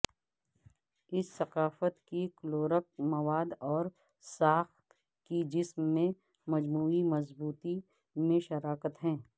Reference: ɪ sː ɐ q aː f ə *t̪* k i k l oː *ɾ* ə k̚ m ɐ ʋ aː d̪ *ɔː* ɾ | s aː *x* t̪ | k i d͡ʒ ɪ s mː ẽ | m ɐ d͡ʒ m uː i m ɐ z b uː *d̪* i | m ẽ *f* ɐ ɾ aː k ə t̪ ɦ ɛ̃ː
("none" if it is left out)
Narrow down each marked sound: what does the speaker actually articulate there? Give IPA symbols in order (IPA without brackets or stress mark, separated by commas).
t̪, ɾ, ɔː, x, t̪, ʃ